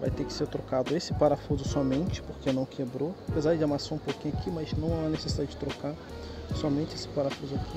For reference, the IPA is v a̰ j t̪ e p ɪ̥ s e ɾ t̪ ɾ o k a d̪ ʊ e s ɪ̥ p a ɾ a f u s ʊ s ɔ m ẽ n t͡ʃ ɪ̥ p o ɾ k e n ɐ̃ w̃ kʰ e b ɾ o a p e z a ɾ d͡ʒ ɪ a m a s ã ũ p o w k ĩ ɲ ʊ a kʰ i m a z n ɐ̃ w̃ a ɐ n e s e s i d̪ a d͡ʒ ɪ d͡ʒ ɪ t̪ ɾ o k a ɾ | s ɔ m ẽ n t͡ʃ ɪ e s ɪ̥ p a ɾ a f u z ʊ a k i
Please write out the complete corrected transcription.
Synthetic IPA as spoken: v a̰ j t̪ e k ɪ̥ s e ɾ t̪ ɾ o k a d̪ ʊ e s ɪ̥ p a ɾ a f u z ʊ s ɔ m ẽ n t͡ʃ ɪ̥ p o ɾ k e n ɐ̃ w̃ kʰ e b ɾ o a p e z a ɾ d͡ʒ ɪ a m a s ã ũ p o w k ĩ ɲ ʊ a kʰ i m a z n ɐ̃ w̃ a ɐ n e s e s i d̪ a d͡ʒ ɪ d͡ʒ ɪ t̪ ɾ o k a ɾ | s ɔ m ẽ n t͡ʃ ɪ e s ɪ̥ p a ɾ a f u z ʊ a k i